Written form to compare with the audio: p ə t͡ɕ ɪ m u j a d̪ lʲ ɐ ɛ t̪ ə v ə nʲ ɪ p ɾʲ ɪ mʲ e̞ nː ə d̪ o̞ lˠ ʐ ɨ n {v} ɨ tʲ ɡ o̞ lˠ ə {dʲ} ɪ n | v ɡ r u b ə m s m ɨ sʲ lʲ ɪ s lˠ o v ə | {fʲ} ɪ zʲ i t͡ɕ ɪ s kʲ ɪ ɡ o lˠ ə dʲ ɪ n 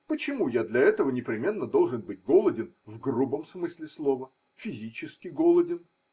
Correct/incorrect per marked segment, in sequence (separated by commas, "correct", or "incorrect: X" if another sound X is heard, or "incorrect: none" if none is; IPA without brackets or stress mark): incorrect: b, correct, correct